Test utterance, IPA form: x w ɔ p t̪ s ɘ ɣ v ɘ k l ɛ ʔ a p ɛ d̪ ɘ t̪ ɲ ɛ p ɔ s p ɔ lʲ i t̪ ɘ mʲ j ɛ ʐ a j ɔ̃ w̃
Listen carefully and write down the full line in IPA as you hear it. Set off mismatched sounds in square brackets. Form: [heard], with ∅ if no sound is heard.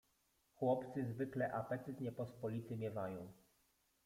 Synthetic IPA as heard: x w ɔ p t̪ s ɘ [z] v ɘ k l ɛ ʔ a p ɛ [t̪] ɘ t̪ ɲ ɛ p ɔ s p ɔ lʲ i t̪ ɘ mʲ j ɛ [v] a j ɔ̃ w̃